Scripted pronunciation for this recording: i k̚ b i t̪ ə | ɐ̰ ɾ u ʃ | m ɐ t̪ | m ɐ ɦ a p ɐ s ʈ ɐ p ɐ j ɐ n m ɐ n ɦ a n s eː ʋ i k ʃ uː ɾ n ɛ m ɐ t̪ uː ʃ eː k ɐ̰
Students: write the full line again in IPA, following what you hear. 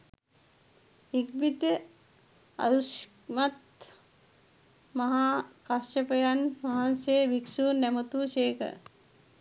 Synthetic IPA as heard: i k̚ b i t̪ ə | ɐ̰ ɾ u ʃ | m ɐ t̪ | m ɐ ɦ a k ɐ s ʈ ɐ p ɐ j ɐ n m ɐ ɦ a n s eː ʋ i k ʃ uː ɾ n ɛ m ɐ t̪ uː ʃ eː k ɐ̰